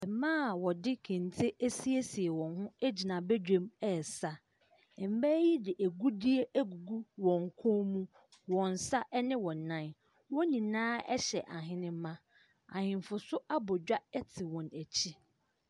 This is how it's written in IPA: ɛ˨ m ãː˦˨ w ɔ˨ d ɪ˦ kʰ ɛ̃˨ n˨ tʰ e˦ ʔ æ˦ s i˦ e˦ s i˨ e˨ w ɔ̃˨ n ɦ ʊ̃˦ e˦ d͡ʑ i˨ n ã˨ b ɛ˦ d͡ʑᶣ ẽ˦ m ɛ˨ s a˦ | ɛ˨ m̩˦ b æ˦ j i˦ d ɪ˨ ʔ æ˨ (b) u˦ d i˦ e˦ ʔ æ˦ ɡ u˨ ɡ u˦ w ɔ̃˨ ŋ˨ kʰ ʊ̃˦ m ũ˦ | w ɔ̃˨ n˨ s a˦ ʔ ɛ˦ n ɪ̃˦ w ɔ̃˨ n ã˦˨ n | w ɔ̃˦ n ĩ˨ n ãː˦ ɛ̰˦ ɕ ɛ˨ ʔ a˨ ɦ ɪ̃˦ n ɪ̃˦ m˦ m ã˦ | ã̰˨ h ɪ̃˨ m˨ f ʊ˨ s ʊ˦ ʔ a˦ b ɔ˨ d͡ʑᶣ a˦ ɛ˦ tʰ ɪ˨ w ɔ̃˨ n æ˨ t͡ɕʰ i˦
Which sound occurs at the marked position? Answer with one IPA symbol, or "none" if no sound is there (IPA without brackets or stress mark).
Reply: ɡ